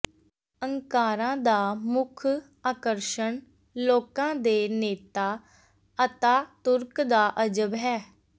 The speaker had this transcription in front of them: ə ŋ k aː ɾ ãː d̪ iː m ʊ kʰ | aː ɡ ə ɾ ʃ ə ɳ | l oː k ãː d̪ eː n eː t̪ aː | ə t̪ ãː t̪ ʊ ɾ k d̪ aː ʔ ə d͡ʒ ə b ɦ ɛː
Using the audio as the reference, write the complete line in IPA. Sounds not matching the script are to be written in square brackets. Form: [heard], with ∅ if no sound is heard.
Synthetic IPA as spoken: ə ŋ k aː ɾ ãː d̪ [aː] m ʊ kʰ | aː [k] ə ɾ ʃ ə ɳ | l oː k ãː d̪ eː n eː t̪ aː | ə t̪ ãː t̪ ʊ ɾ k d̪ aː ʔ ə d͡ʒ ə b ɦ ɛː